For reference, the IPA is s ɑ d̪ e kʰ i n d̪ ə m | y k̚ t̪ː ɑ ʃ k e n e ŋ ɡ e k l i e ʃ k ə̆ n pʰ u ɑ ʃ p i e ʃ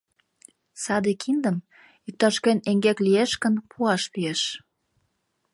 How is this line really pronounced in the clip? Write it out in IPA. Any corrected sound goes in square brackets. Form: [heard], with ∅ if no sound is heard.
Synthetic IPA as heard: s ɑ d̪ e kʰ i n d̪ ə m | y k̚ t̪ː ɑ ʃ k e n e ŋ ɡ e k l i e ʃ k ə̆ n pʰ u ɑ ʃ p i e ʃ

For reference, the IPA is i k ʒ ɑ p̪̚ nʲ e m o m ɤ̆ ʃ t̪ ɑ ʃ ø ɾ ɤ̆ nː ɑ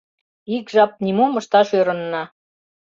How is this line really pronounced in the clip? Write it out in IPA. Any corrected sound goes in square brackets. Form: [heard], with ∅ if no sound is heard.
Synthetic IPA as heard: i k ʒ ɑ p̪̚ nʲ [i] m o m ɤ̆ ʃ t̪ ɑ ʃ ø ɾ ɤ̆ nː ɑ

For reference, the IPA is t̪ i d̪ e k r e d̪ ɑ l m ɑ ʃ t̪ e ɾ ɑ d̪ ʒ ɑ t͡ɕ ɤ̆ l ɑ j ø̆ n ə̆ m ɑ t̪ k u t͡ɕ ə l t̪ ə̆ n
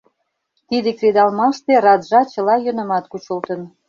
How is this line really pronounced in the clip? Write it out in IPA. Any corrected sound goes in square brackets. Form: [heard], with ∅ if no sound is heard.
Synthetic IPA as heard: t̪ i d̪ e k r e d̪ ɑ l m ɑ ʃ t̪ e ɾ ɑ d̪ ʒ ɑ t͡ɕ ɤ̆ l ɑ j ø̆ n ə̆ m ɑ t̪ k u t͡ɕ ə l t̪ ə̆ n

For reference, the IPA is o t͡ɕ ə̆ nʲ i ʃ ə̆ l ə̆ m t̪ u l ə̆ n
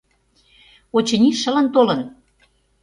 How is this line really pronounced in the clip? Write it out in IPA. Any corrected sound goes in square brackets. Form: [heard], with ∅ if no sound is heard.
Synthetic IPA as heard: o t͡ɕ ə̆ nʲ i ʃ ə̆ l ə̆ [n] t̪ [o] l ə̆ n

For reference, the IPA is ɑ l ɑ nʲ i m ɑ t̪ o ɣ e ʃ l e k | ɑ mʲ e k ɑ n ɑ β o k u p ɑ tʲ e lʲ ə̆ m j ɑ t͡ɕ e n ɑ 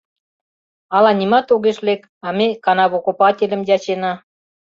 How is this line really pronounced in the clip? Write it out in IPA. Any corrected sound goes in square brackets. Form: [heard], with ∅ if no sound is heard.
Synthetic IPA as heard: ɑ l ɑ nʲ i m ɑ t̪ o ɣ e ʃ l e k | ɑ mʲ e k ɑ n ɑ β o k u p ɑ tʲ e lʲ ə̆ m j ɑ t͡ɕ e n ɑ

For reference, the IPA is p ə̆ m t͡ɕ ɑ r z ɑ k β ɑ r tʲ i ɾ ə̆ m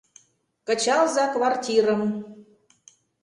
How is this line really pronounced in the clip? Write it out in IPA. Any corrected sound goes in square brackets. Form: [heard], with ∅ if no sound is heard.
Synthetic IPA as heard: [k] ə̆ [∅] t͡ɕ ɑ [l] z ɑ k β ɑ r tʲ i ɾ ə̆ m

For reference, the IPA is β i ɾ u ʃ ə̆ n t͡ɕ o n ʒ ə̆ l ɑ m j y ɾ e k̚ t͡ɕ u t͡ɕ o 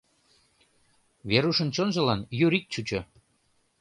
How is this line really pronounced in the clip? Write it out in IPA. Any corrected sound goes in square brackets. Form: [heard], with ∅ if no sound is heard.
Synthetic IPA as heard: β [e] ɾ u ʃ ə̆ n t͡ɕ o n ʒ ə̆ l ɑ [n] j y ɾ [i] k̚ t͡ɕ u t͡ɕ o

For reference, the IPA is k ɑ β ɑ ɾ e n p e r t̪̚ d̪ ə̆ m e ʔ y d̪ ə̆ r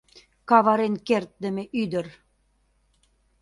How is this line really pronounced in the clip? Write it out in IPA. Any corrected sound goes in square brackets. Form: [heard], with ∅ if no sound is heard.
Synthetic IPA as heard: k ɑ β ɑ ɾ e n [k] e r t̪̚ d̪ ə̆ m e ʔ y d̪ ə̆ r

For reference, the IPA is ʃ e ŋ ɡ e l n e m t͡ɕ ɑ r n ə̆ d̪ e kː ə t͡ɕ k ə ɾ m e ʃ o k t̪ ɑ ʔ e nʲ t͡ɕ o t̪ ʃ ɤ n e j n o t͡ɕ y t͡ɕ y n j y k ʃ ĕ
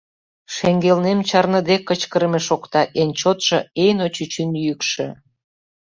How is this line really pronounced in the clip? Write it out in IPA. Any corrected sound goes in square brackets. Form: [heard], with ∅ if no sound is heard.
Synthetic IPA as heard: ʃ e ŋ ɡ e l n e m t͡ɕ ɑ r n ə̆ d̪ e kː ə t͡ɕ k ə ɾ m e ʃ o k t̪ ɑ ʔ e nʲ t͡ɕ o t̪ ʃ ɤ [∅] e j n o t͡ɕ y t͡ɕ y n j y k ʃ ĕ

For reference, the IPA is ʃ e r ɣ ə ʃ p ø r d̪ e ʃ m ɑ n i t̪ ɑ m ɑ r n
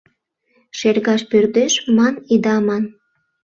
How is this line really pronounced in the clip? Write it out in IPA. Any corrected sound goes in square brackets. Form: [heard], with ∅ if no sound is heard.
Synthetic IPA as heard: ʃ e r ɣ [ɑ] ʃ p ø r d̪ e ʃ m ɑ n i [d̪] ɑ m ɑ [∅] n

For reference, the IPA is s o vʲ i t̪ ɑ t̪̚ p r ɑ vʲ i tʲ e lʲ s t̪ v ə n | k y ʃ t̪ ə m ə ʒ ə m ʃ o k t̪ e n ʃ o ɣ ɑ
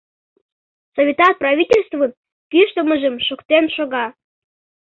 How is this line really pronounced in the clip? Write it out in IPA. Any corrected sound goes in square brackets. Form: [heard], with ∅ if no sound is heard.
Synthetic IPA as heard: s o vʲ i t̪ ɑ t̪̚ p r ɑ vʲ i tʲ e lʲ s t̪ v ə n | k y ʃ t̪ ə m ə ʒ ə m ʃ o k t̪ e n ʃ o ɣ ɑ

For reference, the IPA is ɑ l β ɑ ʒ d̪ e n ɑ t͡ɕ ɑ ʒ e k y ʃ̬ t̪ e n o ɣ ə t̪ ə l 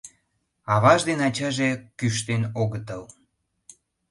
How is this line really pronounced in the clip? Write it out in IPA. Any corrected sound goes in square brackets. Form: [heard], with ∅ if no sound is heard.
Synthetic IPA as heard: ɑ [∅] β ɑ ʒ d̪ e n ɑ t͡ɕ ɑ ʒ e k y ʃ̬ t̪ e n o ɣ ə t̪ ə l

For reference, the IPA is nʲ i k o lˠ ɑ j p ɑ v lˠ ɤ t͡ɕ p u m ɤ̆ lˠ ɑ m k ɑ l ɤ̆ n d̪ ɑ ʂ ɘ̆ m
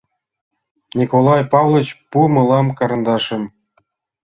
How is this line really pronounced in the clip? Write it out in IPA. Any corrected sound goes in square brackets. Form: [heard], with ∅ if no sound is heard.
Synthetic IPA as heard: nʲ i k o lˠ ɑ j p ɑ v lˠ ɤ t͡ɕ p u m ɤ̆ lˠ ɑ m k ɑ [ɾ] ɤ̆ n d̪ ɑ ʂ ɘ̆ m

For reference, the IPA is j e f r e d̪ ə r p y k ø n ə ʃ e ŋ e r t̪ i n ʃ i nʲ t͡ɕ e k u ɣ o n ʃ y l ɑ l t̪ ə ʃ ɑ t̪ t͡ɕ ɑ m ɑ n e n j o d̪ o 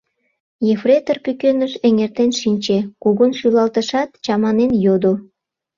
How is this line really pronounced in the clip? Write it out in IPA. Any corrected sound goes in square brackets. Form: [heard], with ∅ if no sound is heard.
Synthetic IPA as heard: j e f r e [t̪] ə r p y k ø n ə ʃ e ŋ e r t̪ [e] n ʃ i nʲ t͡ɕ e k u ɣ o n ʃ y l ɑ l t̪ ə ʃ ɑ t̪ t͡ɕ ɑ m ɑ n e n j o d̪ o

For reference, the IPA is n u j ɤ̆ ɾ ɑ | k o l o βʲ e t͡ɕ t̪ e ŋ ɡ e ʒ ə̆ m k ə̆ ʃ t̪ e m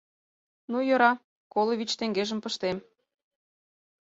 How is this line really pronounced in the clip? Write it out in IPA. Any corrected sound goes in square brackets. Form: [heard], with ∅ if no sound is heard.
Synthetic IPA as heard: n u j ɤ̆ ɾ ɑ | k o l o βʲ [i] t͡ɕ t̪ e ŋ ɡ e ʒ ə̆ m [p] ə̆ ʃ t̪ e m

